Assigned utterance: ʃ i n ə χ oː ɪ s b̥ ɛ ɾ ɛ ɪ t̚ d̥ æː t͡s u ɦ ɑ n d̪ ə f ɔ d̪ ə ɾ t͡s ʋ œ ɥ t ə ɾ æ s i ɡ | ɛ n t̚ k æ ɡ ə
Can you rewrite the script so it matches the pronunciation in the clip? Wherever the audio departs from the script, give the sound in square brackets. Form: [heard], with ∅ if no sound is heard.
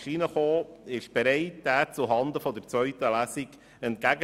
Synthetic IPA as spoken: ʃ i n ə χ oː ɪ [ʃ] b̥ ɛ ɾ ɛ ɪ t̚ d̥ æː t͡s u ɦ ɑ n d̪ ə f ɔ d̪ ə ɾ t͡s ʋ œ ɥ t ə [l] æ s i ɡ | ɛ n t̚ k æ ɡ ə